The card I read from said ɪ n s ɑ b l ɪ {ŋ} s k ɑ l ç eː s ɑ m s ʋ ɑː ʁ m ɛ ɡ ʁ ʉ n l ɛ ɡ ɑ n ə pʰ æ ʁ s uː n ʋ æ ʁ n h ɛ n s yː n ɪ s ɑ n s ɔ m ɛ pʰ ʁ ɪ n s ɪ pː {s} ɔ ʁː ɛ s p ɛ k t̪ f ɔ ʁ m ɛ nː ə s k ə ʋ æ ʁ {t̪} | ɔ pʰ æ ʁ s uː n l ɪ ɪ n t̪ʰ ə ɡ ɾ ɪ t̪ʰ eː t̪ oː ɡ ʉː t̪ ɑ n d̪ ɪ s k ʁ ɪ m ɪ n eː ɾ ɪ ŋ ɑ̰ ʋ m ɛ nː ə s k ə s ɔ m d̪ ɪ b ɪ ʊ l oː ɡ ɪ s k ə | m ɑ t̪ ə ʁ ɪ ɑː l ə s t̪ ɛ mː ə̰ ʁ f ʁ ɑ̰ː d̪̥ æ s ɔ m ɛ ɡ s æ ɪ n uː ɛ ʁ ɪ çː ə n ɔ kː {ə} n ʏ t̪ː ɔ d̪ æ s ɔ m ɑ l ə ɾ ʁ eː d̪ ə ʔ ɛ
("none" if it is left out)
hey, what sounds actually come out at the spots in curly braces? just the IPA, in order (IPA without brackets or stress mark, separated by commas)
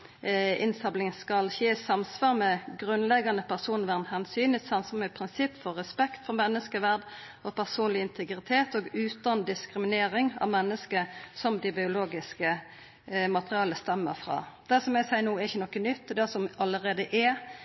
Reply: ŋ, f, d̪, ə